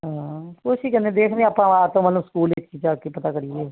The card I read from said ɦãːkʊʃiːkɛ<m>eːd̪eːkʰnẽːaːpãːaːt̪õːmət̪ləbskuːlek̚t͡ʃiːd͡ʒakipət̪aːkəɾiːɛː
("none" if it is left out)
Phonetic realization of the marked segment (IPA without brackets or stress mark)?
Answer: n